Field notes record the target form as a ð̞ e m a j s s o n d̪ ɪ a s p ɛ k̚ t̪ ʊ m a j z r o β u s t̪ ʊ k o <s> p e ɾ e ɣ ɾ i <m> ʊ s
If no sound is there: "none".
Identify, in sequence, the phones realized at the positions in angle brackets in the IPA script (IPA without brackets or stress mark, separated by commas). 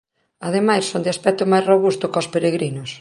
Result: s, n